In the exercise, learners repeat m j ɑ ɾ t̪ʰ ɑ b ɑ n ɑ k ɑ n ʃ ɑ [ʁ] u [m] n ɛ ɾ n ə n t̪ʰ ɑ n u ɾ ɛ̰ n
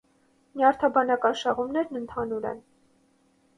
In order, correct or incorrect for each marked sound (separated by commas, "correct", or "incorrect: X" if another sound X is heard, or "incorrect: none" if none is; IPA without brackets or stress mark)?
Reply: correct, correct